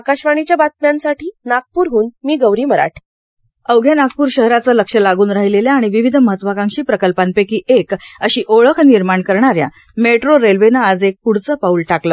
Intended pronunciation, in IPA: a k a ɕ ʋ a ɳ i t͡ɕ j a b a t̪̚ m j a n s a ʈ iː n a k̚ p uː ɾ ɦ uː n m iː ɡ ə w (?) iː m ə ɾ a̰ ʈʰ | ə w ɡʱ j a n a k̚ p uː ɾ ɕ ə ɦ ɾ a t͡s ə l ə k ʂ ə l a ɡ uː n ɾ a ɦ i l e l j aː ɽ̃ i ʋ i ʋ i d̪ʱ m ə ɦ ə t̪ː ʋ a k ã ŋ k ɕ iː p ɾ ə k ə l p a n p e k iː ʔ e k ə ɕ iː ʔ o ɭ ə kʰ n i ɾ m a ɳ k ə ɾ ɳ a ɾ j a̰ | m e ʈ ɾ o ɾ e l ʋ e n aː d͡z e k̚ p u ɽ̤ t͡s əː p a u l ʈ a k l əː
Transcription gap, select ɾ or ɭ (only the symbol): ɾ